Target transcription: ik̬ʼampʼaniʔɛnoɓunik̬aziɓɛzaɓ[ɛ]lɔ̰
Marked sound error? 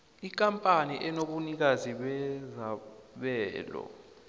yes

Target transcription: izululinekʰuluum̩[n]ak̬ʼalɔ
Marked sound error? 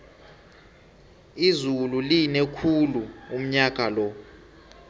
yes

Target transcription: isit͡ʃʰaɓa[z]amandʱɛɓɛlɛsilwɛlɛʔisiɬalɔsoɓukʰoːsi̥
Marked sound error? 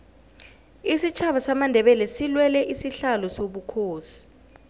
yes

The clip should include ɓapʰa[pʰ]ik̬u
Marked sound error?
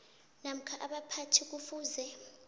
yes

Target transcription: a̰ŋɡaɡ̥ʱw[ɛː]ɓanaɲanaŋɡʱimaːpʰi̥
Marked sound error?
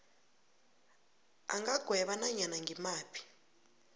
yes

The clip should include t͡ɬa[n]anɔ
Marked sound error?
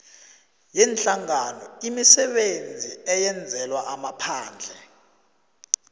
yes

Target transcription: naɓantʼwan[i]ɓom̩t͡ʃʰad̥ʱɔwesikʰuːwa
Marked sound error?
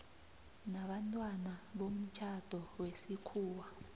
yes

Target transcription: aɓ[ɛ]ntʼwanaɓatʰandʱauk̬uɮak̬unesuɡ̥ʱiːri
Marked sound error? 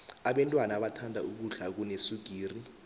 no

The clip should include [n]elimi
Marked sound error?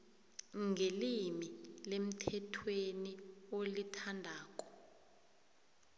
yes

